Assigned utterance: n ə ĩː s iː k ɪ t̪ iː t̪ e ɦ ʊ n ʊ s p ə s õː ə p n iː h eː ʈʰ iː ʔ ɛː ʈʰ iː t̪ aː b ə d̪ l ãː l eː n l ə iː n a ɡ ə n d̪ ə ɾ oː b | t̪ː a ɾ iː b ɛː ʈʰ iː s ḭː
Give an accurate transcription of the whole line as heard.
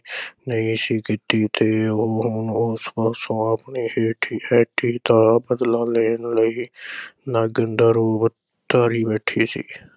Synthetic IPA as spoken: n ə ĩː s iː k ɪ t̪ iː t̪ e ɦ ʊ n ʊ s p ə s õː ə p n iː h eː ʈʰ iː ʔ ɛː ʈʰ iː t̪ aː b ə d̪ l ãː l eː n l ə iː n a ɡ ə n d̪ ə ɾ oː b | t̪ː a ɾ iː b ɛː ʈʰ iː s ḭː